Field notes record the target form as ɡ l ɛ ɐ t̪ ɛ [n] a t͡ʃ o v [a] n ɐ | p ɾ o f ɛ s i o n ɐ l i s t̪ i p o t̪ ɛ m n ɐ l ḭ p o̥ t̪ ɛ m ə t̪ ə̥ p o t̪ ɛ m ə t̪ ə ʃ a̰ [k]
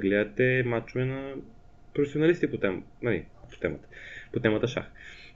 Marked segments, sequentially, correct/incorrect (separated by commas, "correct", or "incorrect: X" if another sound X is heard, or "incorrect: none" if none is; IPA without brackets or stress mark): incorrect: m, incorrect: ɛ, incorrect: x